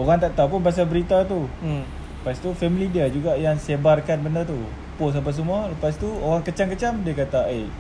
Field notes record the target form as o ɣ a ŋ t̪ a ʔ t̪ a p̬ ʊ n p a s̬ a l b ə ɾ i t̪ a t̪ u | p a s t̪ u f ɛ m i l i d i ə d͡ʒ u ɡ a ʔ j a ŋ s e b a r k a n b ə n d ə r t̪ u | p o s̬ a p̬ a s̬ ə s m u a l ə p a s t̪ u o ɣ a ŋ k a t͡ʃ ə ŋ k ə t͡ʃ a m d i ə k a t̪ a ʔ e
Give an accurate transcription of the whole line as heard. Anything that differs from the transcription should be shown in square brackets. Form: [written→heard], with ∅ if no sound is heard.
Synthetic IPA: o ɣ a ŋ t̪ a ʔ t̪ a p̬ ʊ n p a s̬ a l b ə ɾ i t̪ a t̪ u | p a s t̪ u f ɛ m i l i d i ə d͡ʒ u ɡ a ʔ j a ŋ s e b a r k a n b ə n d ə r t̪ u | p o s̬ a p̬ a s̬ ə [s→∅] m u a l ə p a s t̪ u o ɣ a ŋ k [a→ə] t͡ʃ [ə→a] ŋ k ə t͡ʃ a m d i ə k a t̪ a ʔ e